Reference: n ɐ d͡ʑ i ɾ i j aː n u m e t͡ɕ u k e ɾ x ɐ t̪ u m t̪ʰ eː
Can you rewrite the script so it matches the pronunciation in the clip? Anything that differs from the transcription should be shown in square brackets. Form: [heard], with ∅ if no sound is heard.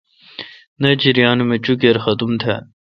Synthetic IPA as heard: n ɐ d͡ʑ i ɾ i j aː n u m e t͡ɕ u k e ɾ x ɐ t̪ u m t̪ʰ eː